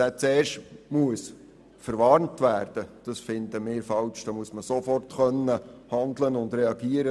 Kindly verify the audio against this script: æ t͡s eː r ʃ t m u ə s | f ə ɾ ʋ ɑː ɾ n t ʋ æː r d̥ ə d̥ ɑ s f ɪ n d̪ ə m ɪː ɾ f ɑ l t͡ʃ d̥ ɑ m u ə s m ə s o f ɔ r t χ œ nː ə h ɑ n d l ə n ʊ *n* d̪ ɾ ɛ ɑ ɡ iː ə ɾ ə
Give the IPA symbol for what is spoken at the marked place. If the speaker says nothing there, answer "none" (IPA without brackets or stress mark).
n